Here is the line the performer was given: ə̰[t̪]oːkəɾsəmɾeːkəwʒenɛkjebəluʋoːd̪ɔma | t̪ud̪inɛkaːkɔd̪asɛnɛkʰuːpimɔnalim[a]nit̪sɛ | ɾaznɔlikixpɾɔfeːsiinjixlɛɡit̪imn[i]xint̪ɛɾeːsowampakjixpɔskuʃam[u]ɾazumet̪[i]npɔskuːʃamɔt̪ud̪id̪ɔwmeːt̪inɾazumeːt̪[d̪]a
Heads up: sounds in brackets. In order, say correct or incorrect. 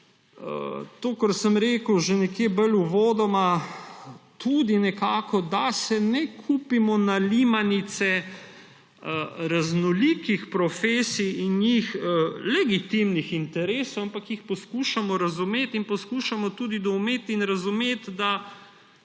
correct, correct, correct, incorrect: ɔ, correct, correct

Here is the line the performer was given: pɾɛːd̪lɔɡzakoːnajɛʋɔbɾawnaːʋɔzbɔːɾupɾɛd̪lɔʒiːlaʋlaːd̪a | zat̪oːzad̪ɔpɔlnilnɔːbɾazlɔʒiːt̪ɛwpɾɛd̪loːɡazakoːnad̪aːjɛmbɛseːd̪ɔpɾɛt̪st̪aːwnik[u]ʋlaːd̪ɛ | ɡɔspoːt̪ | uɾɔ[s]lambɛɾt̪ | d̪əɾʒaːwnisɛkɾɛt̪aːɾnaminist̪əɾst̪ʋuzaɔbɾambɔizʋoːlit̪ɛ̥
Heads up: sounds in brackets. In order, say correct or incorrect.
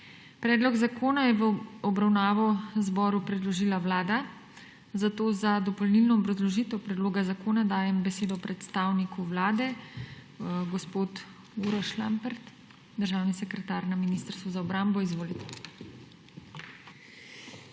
correct, incorrect: ʃ

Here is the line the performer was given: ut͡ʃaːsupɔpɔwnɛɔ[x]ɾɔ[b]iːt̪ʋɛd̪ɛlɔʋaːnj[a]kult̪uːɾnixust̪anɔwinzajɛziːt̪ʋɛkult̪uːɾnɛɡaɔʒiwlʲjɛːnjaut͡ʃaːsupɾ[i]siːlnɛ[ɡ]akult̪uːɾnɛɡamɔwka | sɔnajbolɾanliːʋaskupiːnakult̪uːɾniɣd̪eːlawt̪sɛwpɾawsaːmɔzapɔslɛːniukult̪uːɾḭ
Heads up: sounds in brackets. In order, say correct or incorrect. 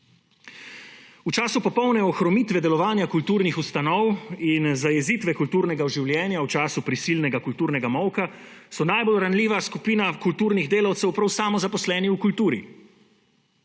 correct, incorrect: m, correct, correct, correct

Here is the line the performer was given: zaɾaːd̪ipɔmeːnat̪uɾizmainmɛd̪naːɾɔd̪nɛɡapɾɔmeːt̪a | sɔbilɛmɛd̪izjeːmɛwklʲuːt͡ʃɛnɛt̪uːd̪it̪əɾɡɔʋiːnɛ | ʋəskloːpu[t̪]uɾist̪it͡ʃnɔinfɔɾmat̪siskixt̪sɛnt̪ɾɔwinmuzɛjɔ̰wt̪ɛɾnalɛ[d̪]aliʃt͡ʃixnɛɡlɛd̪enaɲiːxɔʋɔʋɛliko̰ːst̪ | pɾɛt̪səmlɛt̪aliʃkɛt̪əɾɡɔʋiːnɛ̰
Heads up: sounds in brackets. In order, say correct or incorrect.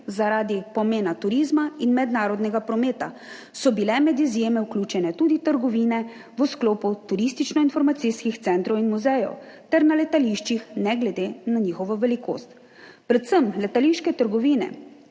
correct, incorrect: t̪

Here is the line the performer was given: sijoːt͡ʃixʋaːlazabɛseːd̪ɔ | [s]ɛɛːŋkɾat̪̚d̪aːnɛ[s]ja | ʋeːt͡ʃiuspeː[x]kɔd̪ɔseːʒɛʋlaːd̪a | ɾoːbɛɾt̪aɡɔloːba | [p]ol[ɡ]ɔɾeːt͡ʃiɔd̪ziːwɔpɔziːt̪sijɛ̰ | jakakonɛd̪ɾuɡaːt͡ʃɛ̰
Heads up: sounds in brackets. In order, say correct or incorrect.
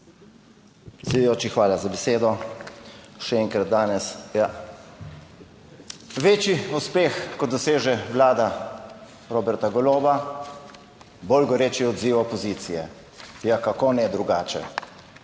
incorrect: ʃ, correct, correct, incorrect: b, correct

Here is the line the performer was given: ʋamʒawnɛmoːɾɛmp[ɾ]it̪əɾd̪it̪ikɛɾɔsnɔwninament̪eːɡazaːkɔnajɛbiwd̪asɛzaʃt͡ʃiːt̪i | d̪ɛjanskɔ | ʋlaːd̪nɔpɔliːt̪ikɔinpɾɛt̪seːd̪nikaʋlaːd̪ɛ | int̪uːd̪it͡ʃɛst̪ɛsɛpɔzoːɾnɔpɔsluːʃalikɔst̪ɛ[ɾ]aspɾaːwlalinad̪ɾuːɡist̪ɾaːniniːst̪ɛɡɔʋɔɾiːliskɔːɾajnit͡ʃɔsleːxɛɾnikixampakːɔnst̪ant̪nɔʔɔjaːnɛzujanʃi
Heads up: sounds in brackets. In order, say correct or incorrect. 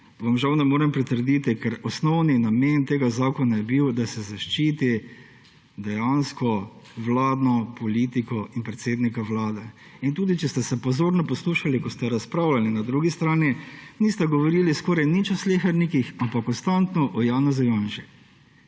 correct, correct

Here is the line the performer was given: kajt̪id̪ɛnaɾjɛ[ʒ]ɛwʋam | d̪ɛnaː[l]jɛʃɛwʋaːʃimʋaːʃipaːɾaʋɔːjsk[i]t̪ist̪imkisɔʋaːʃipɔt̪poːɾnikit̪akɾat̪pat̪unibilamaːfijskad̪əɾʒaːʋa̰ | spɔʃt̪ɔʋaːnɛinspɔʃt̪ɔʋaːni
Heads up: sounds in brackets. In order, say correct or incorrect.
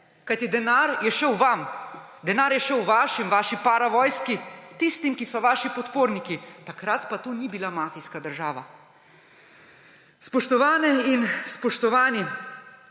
incorrect: ʃ, incorrect: ɾ, correct

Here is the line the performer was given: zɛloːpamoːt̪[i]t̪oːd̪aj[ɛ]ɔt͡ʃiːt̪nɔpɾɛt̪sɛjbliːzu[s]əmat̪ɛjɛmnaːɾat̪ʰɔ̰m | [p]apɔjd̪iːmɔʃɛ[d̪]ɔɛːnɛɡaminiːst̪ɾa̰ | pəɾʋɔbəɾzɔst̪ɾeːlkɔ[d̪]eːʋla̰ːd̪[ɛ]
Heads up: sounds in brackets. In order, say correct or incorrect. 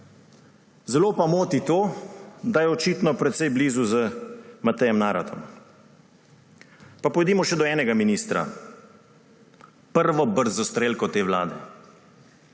correct, correct, incorrect: z, correct, correct, incorrect: t̪, correct

